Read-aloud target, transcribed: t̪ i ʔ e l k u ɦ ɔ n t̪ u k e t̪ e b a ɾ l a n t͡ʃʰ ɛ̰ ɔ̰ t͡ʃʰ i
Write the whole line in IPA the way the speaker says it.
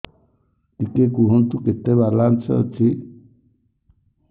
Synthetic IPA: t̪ i k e k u ɦ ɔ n t̪ u k e t̪ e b a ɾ l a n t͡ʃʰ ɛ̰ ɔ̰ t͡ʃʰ i